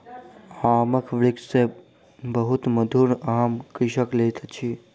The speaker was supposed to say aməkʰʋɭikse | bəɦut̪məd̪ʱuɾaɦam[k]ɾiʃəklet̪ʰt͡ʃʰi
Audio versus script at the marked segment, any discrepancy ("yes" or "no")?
no